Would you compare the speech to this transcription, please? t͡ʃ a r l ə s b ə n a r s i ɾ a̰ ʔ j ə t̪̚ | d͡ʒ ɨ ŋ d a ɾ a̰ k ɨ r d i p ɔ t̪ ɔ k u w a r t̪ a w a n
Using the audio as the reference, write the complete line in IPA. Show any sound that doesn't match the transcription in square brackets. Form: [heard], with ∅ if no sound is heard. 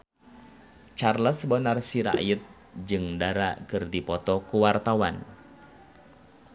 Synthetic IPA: t͡ʃ a r l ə s b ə n a r s i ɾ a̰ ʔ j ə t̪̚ | d͡ʒ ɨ ŋ d a ɾ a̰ k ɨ r d i p ɔ t̪ ɔ k u w a r t̪ a w a n